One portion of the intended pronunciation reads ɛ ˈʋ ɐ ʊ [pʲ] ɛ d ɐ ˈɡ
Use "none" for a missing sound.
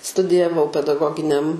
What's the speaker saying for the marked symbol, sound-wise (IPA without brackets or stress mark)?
pʲ